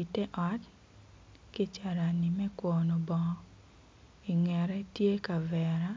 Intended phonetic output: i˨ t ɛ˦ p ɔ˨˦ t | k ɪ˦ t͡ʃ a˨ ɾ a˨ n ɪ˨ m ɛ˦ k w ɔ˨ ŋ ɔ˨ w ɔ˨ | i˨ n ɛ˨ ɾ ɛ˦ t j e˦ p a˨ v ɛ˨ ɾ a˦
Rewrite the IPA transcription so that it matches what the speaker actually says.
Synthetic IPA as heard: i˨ t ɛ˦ ʔ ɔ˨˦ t | k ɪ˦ t͡ʃ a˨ ɾ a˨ n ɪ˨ m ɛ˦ k w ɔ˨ n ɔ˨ b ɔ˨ | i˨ ŋ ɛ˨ ɾ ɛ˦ t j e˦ k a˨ v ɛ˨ ɾ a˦